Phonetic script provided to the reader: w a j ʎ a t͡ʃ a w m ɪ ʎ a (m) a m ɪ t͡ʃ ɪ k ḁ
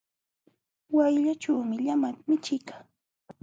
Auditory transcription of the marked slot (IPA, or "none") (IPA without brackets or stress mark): m